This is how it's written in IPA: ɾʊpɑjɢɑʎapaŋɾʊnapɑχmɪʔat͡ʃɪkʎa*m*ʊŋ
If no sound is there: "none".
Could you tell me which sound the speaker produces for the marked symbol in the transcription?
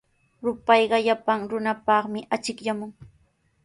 m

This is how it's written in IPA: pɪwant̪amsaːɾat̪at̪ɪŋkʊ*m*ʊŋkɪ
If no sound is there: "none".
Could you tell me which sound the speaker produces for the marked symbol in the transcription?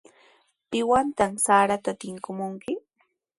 m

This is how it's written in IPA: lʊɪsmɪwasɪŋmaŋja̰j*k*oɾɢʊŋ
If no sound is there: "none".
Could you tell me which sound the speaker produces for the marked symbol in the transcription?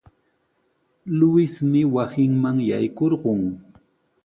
k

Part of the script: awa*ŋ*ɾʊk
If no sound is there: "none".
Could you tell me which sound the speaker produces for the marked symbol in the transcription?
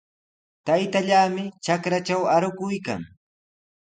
none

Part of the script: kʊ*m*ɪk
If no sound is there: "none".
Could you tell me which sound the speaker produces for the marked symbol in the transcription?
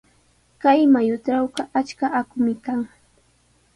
m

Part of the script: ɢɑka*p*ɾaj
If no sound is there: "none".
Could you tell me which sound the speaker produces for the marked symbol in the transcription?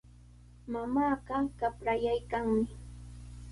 p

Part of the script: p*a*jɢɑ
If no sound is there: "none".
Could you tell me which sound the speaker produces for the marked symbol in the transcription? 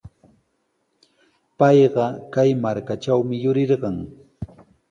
ɑ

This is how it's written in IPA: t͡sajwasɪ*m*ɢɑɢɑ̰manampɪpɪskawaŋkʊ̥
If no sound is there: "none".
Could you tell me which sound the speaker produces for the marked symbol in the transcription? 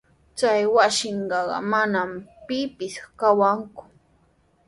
ɴ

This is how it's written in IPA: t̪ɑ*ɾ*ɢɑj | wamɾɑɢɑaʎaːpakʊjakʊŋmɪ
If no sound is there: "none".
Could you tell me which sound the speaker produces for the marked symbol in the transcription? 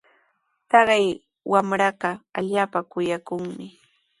none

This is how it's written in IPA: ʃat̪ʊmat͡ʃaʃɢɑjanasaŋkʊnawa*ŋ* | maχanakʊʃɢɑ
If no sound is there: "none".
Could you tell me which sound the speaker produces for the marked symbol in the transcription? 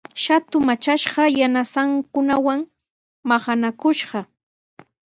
ŋ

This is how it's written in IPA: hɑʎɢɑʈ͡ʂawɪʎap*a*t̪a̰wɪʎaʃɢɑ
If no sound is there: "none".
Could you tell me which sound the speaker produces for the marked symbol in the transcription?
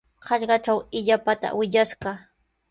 a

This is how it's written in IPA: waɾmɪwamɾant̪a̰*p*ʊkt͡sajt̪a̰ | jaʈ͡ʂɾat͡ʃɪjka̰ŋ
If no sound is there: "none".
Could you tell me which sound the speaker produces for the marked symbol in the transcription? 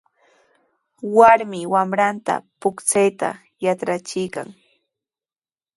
p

